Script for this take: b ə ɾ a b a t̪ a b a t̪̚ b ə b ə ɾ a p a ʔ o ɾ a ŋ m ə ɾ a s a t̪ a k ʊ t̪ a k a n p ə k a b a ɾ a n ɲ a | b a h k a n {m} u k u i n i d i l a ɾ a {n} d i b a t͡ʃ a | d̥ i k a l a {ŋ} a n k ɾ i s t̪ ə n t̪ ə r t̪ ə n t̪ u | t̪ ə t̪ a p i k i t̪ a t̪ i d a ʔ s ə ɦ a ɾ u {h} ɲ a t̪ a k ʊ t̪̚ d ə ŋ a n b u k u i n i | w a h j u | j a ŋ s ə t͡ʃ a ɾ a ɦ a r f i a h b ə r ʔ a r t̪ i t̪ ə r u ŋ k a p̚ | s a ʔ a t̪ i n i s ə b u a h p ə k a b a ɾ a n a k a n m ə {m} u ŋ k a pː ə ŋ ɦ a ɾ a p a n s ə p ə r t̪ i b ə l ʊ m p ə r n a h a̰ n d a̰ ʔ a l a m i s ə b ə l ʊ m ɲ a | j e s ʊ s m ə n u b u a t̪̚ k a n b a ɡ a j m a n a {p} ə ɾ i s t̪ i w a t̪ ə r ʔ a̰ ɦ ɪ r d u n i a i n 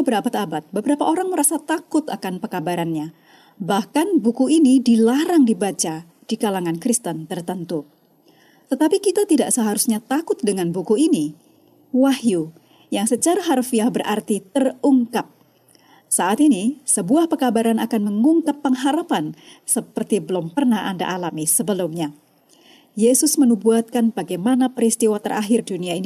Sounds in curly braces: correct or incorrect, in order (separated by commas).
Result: incorrect, incorrect, correct, incorrect, incorrect, correct